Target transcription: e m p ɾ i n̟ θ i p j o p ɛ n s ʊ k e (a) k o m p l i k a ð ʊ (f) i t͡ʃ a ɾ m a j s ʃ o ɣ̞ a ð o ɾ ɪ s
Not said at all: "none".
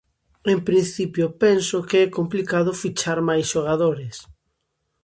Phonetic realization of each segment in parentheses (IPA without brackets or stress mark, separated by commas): ɛ, f